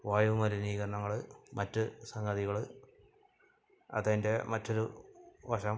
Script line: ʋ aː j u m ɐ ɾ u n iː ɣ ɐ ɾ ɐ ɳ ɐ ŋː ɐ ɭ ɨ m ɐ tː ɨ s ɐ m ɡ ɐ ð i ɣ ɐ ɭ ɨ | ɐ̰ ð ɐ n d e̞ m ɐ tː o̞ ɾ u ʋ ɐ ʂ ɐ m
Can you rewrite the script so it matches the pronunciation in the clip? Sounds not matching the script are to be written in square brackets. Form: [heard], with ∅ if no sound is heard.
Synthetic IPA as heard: ʋ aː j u m ɐ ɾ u n iː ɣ ɐ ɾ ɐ ɳ ɐ ŋː ɐ ɭ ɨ m ɐ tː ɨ s ɐ [ŋ] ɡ ɐ ð i ɣ ɐ ɭ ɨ | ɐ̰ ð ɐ n d e̞ m ɐ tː o̞ ɾ u ʋ ɐ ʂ ɐ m